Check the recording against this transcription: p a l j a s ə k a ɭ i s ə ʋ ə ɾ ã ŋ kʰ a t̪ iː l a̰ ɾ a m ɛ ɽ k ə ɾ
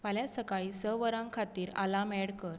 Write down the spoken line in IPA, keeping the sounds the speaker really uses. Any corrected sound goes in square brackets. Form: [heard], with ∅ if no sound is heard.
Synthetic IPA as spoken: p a l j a s ə k a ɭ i s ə ʋ ə ɾ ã ŋ kʰ a t̪ iː [ɾ] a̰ [l] a m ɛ ɽ k ə ɾ